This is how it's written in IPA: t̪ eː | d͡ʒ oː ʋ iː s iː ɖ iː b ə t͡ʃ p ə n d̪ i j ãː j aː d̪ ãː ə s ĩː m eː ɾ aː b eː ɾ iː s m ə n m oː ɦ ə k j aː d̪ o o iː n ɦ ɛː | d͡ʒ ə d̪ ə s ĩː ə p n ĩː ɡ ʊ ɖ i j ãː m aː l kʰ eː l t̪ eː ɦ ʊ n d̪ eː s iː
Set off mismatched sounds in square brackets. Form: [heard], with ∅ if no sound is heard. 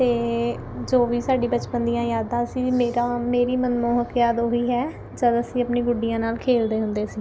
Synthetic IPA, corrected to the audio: t̪ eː | d͡ʒ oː ʋ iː s [aː] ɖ iː b ə t͡ʃ p ə n d̪ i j ãː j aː d̪ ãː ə s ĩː m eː ɾ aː [m] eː ɾ iː [∅] m ə n m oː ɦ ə k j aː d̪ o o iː [∅] ɦ ɛː | d͡ʒ ə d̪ ə s ĩː ə p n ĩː ɡ ʊ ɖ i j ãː [n] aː l kʰ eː l [d̪] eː ɦ ʊ n d̪ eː s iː